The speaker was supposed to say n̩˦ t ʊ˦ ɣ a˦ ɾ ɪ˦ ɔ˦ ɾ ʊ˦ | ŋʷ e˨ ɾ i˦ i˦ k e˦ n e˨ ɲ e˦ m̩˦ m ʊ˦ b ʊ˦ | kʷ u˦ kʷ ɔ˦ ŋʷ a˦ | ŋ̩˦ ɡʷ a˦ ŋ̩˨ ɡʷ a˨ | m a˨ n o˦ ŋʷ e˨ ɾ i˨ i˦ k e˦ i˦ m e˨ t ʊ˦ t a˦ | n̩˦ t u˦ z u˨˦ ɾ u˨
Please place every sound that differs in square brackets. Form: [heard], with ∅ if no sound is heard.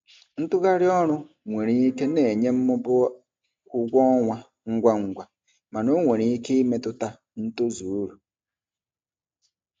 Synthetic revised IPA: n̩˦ t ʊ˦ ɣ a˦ ɾ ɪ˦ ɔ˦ ɾ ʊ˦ | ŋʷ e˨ ɾ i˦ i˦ k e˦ n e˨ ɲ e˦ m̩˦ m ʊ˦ b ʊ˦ | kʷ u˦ [ɡʷ] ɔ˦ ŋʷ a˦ | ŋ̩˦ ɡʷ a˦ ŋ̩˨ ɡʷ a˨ | m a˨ n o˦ ŋʷ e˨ ɾ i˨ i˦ k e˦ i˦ m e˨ t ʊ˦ t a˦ | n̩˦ t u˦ z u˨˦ ɾ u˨